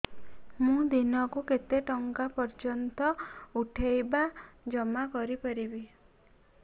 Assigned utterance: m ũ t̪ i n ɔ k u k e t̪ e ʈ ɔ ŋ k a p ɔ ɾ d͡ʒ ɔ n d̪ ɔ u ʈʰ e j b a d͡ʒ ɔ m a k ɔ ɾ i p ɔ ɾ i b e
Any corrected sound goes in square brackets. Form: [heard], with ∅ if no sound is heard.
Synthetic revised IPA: m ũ [d̪] i n ɔ k u k e t̪ e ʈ ɔ ŋ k a p ɔ ɾ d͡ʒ ɔ n [t̪] ɔ u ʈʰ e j b a d͡ʒ ɔ m a k ɔ ɾ i p ɔ ɾ i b [i]